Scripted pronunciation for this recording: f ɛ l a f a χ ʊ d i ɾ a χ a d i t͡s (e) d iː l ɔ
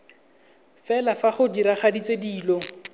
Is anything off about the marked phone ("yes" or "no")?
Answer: no